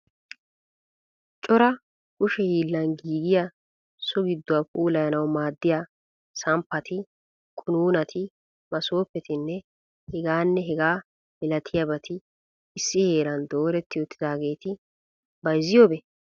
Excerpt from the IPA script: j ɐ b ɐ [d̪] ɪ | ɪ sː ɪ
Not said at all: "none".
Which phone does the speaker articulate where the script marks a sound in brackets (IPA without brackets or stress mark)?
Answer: t̪